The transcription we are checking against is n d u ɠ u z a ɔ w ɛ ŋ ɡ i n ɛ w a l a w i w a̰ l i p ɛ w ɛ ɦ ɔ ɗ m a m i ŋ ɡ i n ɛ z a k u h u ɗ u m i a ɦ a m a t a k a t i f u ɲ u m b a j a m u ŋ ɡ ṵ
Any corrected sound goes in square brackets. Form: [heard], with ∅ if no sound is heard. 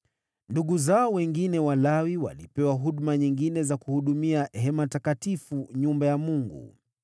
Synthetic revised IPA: n d u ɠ u z a ɔ w ɛ ŋ ɡ i n ɛ w a l a w i w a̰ l i p ɛ w [a] ɦ [u] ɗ m a [ɲ] i ŋ ɡ i n ɛ z a k u h u ɗ u m i a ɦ [ɛ] m a t a k a t i f u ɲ u m b a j a m u ŋ ɡ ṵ

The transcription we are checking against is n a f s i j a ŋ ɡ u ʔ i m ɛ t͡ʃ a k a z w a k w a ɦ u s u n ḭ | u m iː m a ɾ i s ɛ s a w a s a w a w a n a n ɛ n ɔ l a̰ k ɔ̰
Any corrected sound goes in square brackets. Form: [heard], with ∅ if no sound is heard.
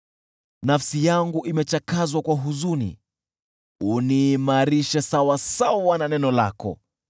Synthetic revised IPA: n a f s i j a ŋ ɡ u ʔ i m ɛ t͡ʃ a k a z w a k w a ɦ u [z] u n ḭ | u [n] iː m a ɾ i [ʃ] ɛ s a w a s a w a w a n a n ɛ n ɔ l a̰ k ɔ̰

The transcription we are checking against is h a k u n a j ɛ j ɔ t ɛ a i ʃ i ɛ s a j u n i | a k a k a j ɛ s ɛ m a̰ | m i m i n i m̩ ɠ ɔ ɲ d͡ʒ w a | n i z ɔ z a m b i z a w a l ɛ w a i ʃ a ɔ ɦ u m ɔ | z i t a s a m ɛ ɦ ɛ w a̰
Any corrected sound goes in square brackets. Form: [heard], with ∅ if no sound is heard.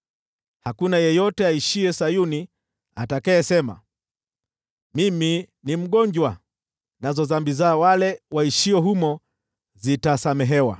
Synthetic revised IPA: h a k u n a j ɛ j ɔ t ɛ a i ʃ i ɛ s a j u n i | a [t] a k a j ɛ s ɛ m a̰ | m i m i n i m̩ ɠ ɔ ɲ d͡ʒ w a | n [a] z ɔ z a m b i z a w a l ɛ w a i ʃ [i] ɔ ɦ u m ɔ | z i t a s a m ɛ ɦ ɛ w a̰

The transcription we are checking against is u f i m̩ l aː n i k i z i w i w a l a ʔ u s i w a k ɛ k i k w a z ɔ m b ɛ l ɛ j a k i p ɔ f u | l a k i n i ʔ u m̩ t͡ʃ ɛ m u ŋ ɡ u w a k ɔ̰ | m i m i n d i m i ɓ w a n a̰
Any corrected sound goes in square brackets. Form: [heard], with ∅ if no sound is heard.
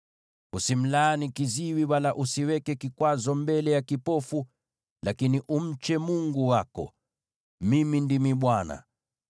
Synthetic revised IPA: u [s] i m̩ l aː n i k i z i w i w a l a ʔ u s i w [ɛ] k ɛ k i k w a z ɔ m b ɛ l ɛ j a k i p ɔ f u | l a k i n i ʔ u m̩ t͡ʃ ɛ m u ŋ ɡ u w a k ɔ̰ | m i m i n d i m i ɓ w a n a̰

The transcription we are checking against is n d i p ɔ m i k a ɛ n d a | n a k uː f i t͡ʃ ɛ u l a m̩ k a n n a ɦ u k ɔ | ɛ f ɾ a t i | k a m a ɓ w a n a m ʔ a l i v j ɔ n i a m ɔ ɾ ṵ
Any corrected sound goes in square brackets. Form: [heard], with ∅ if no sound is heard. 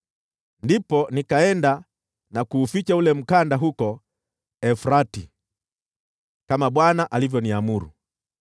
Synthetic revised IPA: n d i p ɔ [n] i k a ɛ n d a | n a k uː f i t͡ʃ [a] u l [ɛ] m̩ k a n [d] a ɦ u k ɔ | ɛ f ɾ a t i | k a m a ɓ w a n a [∅] ʔ a l i v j ɔ n i a m [u] ɾ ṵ

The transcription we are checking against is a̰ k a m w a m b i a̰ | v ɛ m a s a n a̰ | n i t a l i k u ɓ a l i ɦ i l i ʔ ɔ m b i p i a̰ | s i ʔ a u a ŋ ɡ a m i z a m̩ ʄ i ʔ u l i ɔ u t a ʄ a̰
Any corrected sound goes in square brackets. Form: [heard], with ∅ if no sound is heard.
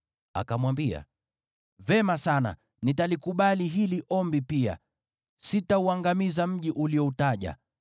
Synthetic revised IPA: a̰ k a m w a m b i a̰ | v ɛ m a s a n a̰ | n i t a l i k u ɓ a l i ɦ i l i ʔ ɔ m b i p i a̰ | s i [t] a u a ŋ ɡ a m i z a m̩ ʄ i ʔ u l i ɔ u t a ʄ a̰

